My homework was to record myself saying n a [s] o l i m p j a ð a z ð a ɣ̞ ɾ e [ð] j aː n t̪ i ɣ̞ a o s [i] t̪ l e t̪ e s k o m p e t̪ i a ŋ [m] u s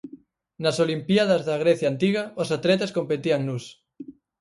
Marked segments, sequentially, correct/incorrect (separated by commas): correct, incorrect, incorrect, incorrect